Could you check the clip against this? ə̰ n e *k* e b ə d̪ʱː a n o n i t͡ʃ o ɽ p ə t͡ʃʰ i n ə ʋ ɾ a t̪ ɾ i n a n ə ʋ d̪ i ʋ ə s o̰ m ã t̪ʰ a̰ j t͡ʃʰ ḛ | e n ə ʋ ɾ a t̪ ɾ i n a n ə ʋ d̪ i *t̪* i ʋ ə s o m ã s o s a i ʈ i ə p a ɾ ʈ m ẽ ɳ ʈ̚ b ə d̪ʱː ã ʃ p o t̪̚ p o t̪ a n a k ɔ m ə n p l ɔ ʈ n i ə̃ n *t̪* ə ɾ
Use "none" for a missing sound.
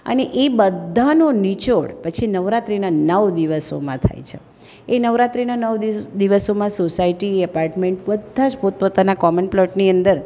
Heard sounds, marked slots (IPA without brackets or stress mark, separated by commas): ʔ, d̪, d̪